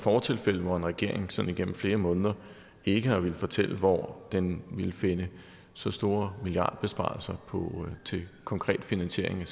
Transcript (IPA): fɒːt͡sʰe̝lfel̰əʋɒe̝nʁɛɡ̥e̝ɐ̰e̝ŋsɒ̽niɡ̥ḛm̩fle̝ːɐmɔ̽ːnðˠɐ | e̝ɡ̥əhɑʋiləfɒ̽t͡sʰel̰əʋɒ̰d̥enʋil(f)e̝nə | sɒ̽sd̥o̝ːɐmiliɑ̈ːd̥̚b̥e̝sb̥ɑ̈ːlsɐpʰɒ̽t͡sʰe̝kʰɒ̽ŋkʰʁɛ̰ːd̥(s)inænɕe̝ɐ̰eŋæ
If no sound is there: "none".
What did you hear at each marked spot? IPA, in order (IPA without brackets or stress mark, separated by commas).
f, f